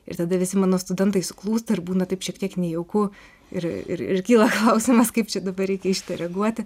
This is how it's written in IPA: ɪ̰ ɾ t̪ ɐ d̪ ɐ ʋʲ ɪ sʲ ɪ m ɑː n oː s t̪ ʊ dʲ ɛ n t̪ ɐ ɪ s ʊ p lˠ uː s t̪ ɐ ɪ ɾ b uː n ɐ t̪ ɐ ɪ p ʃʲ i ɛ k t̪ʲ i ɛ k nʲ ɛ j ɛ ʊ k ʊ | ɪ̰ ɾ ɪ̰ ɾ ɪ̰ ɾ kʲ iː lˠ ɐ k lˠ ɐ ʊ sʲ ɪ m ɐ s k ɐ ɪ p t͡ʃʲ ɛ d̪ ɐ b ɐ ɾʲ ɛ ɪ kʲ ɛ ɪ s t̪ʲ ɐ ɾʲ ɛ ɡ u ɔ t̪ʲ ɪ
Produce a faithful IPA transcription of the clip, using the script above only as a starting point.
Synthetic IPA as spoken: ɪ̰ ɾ t̪ ɐ d̪ ɐ ʋʲ ɪ sʲ ɪ m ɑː n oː s t̪ ʊ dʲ ɛ n t̪ ɐ ɪ s ʊ k lˠ uː s t̪ ɐ ɪ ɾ b uː n ɐ t̪ ɐ ɪ p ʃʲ i ɛ k t̪ʲ i ɛ k nʲ ɛ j ɛ ʊ k ʊ | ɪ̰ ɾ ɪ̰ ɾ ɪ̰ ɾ kʲ iː lˠ ɐ k lˠ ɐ ʊ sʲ ɪ m ɐ s k ɐ ɪ p t͡ʃʲ ɛ d̪ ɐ b ɐ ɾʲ ɛ ɪ kʲ ɛ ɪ ʃ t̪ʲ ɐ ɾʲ ɛ ɡ u ɔ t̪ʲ ɪ